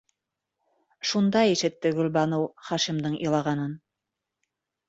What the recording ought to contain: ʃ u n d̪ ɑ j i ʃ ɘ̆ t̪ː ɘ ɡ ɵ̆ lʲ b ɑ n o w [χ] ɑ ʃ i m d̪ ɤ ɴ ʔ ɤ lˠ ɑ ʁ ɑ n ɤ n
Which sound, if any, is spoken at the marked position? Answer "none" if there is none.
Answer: χ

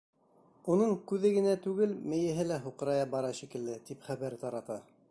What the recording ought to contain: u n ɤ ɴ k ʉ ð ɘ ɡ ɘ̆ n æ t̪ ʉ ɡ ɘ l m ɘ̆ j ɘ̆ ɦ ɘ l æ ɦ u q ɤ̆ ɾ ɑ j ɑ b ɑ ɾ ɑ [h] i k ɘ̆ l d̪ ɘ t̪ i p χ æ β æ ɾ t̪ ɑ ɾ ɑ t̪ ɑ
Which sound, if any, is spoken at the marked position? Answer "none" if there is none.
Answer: ʃ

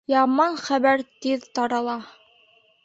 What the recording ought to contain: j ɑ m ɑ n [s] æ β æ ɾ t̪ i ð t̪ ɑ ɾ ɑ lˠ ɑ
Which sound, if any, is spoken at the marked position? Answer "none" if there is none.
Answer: χ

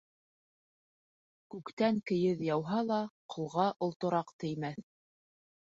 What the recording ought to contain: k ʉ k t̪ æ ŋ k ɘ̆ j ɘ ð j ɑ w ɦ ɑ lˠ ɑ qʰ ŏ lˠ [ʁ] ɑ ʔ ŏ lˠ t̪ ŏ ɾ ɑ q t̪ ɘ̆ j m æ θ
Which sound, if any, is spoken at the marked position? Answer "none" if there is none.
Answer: ʁ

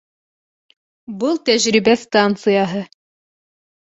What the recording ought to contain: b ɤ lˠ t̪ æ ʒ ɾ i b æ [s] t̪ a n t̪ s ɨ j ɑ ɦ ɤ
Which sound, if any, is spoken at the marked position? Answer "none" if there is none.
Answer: s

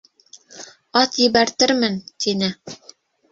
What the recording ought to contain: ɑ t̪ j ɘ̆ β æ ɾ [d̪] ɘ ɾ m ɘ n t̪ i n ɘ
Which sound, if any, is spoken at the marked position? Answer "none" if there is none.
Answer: t̪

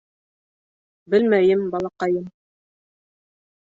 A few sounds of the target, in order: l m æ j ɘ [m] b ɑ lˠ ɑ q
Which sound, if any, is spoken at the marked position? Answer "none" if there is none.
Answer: m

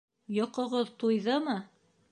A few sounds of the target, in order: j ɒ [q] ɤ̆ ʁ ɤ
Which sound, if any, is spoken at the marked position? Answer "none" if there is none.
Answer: q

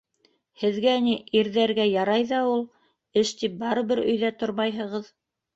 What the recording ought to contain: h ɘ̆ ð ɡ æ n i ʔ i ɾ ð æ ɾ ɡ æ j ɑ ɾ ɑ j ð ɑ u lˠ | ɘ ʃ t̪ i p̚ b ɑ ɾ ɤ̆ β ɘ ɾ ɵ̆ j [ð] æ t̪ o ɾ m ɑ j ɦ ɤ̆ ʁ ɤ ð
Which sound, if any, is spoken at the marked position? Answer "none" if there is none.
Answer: ð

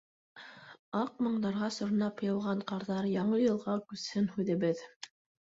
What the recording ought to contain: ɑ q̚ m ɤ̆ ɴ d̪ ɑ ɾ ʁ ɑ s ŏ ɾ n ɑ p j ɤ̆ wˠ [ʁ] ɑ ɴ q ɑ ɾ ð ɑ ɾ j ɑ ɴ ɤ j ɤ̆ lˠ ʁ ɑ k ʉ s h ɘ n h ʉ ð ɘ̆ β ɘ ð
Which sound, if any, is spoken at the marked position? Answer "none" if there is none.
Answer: ʁ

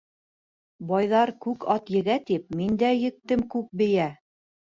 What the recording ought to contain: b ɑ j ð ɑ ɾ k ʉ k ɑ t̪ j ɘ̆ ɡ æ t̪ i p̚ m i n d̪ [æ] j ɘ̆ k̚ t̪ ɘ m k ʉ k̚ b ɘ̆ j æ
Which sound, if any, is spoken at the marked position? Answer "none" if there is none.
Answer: æ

